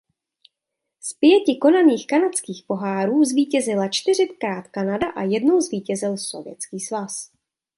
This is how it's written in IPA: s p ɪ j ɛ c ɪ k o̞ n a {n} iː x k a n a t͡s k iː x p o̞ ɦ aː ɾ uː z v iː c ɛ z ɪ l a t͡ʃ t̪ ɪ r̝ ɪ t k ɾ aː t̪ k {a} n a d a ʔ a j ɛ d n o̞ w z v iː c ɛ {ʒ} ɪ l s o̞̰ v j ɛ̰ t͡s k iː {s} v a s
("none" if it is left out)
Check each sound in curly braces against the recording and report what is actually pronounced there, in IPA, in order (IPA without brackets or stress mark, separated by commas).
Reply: n, a, z, s